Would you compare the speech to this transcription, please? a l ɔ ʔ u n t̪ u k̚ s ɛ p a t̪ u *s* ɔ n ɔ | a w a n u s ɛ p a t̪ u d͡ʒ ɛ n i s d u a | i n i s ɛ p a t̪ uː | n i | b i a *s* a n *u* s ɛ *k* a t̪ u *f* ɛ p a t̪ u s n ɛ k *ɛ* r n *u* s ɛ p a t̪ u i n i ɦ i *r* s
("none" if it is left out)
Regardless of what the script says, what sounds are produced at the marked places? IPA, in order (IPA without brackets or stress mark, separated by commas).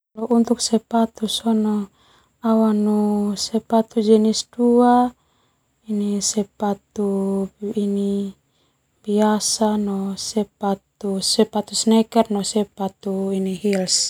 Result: s, s, ɔ, p, s, ɛ, ɔ, l